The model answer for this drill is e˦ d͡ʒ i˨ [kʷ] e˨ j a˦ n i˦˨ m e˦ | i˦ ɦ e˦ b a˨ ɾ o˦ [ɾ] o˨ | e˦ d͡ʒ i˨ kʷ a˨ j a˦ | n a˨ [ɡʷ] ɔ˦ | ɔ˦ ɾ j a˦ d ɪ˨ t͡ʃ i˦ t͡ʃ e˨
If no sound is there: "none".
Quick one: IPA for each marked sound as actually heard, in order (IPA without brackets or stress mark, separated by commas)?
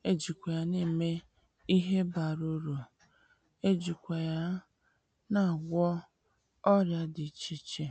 kʷ, ɾ, ɡʷ